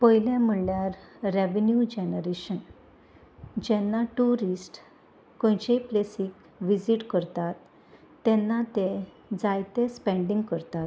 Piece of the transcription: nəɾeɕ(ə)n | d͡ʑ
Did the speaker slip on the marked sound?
no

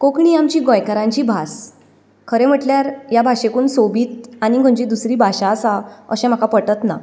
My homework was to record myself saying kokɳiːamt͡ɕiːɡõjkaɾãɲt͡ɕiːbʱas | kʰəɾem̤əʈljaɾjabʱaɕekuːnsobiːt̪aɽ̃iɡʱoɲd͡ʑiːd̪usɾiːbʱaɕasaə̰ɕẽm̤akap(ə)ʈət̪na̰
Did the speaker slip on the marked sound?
no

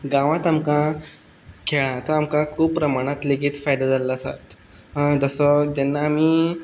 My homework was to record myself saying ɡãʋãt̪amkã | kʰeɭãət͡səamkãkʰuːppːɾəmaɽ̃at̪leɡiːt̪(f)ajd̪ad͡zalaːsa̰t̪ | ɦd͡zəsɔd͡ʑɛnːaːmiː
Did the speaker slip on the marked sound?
no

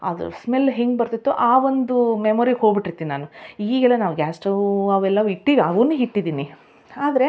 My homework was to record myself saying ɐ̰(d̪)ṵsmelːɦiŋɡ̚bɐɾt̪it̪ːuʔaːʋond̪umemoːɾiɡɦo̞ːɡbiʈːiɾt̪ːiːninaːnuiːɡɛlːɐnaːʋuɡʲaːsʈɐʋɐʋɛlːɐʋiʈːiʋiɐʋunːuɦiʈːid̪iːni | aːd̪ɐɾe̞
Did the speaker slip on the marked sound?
no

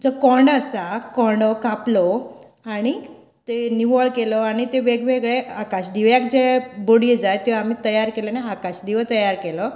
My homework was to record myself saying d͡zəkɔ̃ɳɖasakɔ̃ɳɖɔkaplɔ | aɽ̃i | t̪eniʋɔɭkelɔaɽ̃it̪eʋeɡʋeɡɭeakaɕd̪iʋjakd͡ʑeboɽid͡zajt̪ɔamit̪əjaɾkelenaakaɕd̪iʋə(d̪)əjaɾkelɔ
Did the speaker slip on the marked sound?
yes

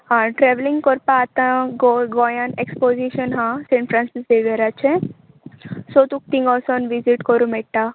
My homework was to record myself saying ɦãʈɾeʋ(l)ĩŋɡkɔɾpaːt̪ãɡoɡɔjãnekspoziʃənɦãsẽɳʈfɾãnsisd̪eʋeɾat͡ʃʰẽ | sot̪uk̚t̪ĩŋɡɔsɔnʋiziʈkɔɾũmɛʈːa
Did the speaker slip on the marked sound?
no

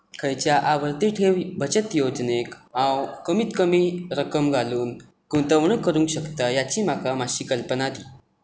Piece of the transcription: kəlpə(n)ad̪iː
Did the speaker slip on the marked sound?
no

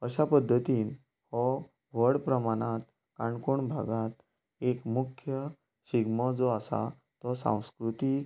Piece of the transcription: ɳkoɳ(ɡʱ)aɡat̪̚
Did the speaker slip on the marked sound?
yes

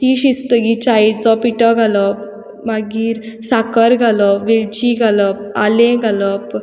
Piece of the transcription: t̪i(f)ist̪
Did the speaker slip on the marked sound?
yes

